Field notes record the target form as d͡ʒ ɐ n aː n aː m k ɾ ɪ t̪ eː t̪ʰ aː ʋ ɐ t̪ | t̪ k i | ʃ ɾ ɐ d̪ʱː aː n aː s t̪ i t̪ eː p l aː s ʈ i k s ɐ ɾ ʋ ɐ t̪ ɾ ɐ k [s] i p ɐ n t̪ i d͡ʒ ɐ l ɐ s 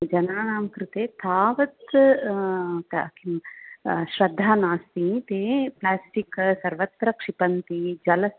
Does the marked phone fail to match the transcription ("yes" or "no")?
yes